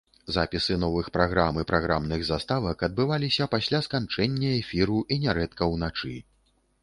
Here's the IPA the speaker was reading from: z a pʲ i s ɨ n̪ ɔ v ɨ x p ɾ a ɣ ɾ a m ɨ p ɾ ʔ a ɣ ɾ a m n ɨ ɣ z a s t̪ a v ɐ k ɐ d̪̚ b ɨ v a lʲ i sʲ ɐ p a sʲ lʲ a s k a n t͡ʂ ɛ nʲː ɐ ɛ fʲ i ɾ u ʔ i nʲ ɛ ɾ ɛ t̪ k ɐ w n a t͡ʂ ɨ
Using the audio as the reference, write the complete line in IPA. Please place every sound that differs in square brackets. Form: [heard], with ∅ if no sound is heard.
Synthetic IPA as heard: z a pʲ i s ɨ n̪ ɔ v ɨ x p ɾ a ɣ ɾ a m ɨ p ɾ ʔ a ɣ ɾ a m n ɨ ɣ z a s t̪ a v ɐ k ɐ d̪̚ b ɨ v a lʲ i sʲ ɐ p a sʲ lʲ a s k a n t͡ʂ ɛ nʲː ɐ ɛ fʲ i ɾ u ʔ i nʲ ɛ ɾ ɛ t̪ k ɐ w n a t͡ʂ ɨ